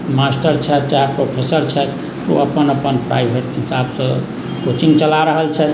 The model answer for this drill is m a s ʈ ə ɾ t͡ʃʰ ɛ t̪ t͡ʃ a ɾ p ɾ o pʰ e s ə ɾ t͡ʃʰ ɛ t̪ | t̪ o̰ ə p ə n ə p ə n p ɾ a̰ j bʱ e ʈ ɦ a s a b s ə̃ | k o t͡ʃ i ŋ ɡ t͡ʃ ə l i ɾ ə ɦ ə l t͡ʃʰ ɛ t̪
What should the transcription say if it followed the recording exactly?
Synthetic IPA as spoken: m a s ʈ ə ɾ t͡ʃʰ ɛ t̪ t͡ʃ a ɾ p ɾ o pʰ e s ə ɾ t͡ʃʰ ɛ t̪ | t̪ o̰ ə p ə n ə p ə n p ɾ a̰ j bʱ e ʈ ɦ i s a b s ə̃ | k o t͡ʃ i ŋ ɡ t͡ʃ ə l a ɾ ə ɦ ə l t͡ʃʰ ɛ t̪

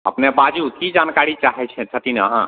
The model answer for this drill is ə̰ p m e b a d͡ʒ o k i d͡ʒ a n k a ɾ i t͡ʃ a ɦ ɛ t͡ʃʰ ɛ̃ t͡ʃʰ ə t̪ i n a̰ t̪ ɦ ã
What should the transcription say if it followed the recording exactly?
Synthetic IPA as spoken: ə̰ p n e b a d͡ʒ u k i d͡ʒ a n k a ɾ i t͡ʃ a ɦ ɛ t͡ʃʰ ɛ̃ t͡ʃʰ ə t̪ i n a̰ ɦ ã

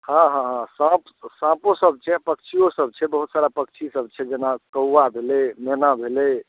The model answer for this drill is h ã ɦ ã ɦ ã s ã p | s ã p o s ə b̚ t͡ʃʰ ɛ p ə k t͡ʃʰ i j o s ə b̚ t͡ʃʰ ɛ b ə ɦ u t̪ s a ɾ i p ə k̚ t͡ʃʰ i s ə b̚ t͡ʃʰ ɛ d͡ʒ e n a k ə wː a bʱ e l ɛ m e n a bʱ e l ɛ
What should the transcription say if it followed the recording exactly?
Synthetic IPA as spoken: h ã ɦ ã ɦ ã s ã p | s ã p o s ə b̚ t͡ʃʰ ɛ p ə k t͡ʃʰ i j o s ə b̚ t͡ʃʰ ɛ b ə ɦ u t̪ s a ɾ a p ə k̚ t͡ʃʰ i s ə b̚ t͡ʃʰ ɛ d͡ʒ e n a k ə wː a bʱ e l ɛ m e n a bʱ e l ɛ

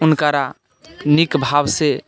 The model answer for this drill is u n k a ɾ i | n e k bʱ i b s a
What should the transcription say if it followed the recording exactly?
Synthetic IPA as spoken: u n k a ɾ a | n i k bʱ a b s e

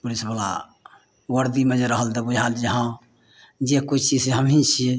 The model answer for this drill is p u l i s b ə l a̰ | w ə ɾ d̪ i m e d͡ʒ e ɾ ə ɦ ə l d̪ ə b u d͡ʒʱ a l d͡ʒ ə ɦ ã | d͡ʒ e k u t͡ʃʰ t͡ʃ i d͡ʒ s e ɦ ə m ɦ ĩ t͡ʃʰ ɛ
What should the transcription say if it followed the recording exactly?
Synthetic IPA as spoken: p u l i s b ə l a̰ | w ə ɾ d̪ i m e d͡ʒ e ɾ ə ɦ ə l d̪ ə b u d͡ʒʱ a l d͡ʒ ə ɦ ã | d͡ʒ e k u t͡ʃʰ t͡ʃ i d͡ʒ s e ɦ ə m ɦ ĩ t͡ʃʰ i

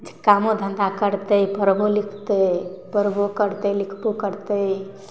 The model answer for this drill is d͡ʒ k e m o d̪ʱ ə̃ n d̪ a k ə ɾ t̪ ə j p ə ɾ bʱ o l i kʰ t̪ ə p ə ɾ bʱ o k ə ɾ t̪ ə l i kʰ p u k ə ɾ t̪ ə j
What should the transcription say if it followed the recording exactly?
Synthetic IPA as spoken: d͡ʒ k a m o d̪ʱ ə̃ n d̪ a k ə ɾ t̪ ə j p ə ɾ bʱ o l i kʰ t̪ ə p ə ɾ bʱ o k ə ɾ t̪ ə l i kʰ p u k ə ɾ t̪ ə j

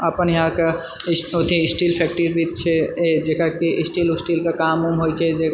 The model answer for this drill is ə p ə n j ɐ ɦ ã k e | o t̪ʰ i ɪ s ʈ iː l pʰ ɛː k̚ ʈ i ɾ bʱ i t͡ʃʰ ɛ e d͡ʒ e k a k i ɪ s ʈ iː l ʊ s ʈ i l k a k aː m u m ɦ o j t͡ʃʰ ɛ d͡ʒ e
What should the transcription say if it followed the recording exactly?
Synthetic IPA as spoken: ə p ə n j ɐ ɦ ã k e | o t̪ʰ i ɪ s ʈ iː l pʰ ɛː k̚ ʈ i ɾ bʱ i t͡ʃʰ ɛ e d͡ʒ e k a k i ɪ s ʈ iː l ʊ s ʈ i l k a k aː m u m ɦ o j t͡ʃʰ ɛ d͡ʒ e

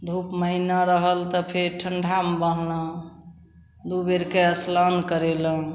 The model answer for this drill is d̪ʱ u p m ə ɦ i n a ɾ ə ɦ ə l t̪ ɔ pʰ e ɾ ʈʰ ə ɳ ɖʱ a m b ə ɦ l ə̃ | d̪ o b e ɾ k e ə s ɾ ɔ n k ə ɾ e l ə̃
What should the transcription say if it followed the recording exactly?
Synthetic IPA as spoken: d̪ʱ u p m ə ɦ i n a ɾ ə ɦ ə l t̪ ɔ pʰ e ɾ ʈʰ ə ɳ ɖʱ a m b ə ɦ l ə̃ | d̪ u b e ɾ k e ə s l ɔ n k ə ɾ e l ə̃

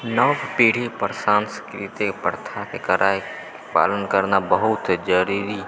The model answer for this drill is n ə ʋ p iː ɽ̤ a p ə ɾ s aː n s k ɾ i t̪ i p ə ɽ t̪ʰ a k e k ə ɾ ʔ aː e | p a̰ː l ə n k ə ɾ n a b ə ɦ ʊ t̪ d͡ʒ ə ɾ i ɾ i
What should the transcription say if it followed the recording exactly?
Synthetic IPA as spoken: n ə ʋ p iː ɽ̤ i p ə ɾ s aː n s k ɾ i t̪ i p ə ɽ t̪ʰ a k e k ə ɾ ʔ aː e | p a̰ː l ə n k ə ɾ n a b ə ɦ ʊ t̪ d͡ʒ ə ɾ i ɾ i

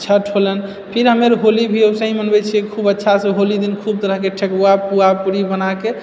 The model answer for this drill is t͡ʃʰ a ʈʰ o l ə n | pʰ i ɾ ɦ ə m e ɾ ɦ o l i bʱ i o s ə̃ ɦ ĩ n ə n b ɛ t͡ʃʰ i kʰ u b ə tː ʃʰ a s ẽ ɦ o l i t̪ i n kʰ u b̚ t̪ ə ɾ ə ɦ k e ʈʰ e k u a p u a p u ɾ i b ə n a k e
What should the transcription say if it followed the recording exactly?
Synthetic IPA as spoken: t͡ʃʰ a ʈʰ o l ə n | pʰ i ɾ ɦ ə m e ɾ ɦ o l i bʱ i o s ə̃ ɦ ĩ m ə n b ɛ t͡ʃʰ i kʰ u b ə tː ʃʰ a s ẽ ɦ o l i d̪ i n kʰ u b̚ t̪ ə ɾ ə ɦ k e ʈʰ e k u a p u a p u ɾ i b ə n a k e

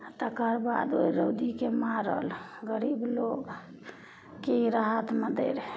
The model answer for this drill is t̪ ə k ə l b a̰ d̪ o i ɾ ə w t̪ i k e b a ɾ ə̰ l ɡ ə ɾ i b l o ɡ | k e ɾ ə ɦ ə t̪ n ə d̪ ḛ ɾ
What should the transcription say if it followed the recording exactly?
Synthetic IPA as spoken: t̪ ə k ə ɾ b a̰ d̪ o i ɾ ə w d̪ i k e m a ɾ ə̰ l ɡ ə ɾ i b l o ɡ | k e ɾ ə ɦ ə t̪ m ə d̪ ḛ ɾ

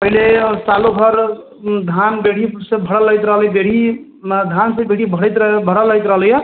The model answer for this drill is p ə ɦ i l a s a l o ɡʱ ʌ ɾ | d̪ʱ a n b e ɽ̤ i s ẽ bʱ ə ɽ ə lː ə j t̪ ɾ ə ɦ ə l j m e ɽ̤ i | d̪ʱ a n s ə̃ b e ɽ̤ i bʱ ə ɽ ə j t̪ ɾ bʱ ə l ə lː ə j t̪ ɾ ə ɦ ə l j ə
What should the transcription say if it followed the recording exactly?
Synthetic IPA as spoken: p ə ɦ i l e s a l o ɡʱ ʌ ɾ | d̪ʱ a n b e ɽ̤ i s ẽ bʱ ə ɽ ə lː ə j t̪ ɾ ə ɦ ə l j b e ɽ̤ i | d̪ʱ a n s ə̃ b e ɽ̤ i bʱ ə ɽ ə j t̪ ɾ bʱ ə ɽ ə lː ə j t̪ ɾ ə ɦ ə l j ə

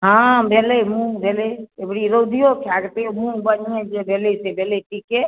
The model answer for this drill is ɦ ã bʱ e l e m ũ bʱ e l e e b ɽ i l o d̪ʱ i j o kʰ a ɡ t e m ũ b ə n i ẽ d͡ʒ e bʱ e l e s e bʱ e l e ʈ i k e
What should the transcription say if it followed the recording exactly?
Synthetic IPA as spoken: ɦ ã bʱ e l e m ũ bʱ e l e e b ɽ i ɾ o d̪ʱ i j o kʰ a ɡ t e m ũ b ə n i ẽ d͡ʒ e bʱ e l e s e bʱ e l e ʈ i k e

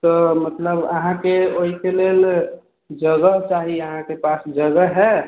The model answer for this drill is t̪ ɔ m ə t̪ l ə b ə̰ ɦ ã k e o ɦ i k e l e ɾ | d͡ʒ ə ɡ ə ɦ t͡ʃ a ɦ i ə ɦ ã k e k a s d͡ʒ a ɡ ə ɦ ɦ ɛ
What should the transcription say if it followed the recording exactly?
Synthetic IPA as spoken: t̪ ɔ m ə t̪ l ə b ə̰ ɦ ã k e o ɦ i k e l e l | d͡ʒ ə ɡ ə ɦ t͡ʃ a ɦ i ə ɦ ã k e p a s d͡ʒ ə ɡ ə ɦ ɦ ɛ

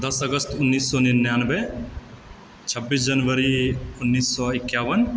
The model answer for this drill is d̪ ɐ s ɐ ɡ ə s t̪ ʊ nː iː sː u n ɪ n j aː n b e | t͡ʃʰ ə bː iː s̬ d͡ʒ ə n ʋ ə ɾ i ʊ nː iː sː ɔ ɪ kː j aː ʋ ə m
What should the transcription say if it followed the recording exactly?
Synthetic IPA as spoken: d̪ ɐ s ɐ ɡ ə s t̪ ʊ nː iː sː ɔ n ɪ n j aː n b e | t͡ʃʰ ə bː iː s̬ d͡ʒ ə n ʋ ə ɾ i ʊ nː iː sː ɔ ɪ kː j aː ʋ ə n

